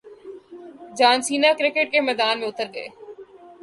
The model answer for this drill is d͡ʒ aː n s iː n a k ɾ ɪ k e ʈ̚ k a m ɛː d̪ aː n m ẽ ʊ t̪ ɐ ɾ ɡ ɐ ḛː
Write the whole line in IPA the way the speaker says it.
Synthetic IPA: d͡ʒ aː n s iː n a k ɾ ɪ k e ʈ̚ k e m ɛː d̪ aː n m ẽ ʊ t̪ ə ɾ ɡ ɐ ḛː